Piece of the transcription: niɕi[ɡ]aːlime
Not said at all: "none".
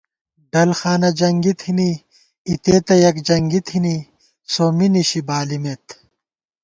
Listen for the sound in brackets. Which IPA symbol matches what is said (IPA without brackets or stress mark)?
b